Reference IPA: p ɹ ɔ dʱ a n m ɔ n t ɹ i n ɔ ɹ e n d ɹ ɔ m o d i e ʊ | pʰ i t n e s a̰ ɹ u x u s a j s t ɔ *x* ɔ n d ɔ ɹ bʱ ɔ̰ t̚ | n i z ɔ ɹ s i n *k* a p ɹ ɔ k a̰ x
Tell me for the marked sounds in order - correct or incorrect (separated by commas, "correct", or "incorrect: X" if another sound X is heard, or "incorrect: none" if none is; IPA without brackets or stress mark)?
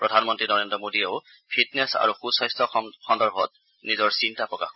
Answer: correct, incorrect: t